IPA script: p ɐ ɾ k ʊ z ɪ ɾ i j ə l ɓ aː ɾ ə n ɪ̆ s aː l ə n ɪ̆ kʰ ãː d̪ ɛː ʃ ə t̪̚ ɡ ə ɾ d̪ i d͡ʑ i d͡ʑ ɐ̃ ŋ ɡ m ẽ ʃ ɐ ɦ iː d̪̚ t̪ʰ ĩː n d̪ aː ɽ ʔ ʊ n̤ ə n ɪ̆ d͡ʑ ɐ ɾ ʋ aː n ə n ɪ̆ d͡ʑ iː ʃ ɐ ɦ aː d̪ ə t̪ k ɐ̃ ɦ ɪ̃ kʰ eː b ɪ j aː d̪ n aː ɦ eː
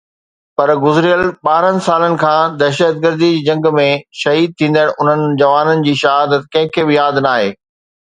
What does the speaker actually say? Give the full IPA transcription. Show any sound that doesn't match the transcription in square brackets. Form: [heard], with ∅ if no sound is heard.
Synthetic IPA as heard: p ɐ ɾ [ɡ] ʊ z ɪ ɾ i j ə l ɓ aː ɾ ə n ɪ̆ s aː l ə n ɪ̆ kʰ ãː d̪ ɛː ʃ ə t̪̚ ɡ ə ɾ d̪ i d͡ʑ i d͡ʑ ɐ̃ ŋ ɡ m ẽ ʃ ɐ ɦ iː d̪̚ t̪ʰ ĩː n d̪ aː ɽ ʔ ʊ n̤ ə n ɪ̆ d͡ʑ ɐ [∅] ʋ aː n ə n ɪ̆ d͡ʑ iː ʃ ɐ ɦ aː d̪ ə t̪ k ɐ̃ ɦ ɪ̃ kʰ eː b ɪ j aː d̪ n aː ɦ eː